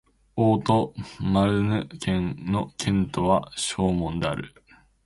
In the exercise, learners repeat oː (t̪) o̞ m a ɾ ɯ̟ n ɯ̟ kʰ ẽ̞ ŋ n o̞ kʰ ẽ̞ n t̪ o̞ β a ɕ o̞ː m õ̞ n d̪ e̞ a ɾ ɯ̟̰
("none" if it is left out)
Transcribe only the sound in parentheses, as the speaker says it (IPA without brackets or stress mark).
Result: t̪